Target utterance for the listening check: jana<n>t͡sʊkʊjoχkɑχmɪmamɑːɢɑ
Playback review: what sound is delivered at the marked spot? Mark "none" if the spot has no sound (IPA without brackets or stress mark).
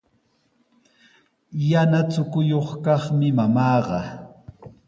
none